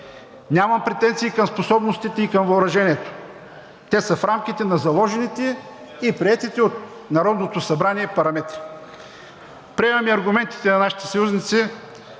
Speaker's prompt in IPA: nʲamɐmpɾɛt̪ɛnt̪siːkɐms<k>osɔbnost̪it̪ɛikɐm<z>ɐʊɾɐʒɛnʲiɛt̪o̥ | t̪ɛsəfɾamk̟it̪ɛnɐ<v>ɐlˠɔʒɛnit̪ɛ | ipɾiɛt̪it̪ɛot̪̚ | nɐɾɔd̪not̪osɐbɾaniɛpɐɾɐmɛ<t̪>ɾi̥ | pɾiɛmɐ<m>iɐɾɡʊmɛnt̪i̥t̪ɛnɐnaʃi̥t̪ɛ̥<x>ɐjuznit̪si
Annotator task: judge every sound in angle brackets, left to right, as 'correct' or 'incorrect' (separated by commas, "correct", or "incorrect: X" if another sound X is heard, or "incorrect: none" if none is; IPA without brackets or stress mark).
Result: incorrect: p, incorrect: v, incorrect: z, correct, correct, incorrect: s